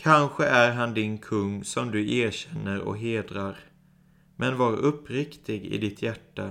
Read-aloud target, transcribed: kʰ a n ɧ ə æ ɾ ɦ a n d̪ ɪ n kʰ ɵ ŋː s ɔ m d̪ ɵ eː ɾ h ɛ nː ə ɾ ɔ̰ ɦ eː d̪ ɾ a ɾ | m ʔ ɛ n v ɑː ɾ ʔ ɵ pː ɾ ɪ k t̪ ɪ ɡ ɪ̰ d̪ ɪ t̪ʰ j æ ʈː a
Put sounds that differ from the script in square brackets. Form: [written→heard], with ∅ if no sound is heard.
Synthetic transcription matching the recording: kʰ a n ɧ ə æ ɾ ɦ a n d̪ ɪ n kʰ ɵ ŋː s ɔ m d̪ ɵ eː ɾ [h→ɕ] ɛ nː ə ɾ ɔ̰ ɦ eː d̪ ɾ a ɾ | m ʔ ɛ n v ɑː ɾ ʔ ɵ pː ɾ ɪ k t̪ ɪ ɡ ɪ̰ d̪ ɪ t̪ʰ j æ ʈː a